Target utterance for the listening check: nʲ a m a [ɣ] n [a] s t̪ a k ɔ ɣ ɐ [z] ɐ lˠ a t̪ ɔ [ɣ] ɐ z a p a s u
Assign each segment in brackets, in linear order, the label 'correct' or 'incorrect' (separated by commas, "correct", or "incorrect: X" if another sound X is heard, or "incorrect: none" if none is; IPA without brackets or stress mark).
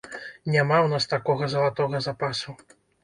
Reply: incorrect: w, correct, correct, correct